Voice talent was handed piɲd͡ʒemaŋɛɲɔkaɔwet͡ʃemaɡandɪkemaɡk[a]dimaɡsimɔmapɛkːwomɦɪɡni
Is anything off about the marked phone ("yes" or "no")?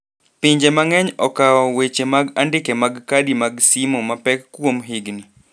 no